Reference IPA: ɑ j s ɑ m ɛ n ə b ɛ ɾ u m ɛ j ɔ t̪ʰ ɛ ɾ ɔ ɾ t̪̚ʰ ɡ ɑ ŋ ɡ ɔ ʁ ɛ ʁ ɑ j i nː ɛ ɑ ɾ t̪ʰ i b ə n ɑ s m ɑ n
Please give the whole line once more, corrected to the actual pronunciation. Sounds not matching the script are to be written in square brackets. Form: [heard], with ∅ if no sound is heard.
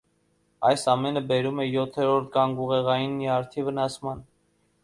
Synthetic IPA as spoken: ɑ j s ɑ m ɛ n ə b ɛ ɾ u m ɛ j ɔ t̪ʰ ɛ ɾ ɔ ɾ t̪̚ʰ ɡ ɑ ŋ ɡ [u] ʁ ɛ ʁ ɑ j i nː [i] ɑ ɾ t̪ʰ i [v] ə n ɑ s m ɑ n